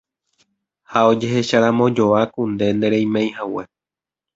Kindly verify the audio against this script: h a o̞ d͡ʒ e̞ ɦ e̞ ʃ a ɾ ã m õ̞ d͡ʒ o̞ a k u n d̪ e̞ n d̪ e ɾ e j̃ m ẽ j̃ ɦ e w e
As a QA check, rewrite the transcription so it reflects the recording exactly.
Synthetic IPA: h a o̞ d͡ʒ e̞ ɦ e̞ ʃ a ɾ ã m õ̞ d͡ʒ o̞ a k u n d̪ e̞ n d̪ e ɾ e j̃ m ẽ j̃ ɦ a w e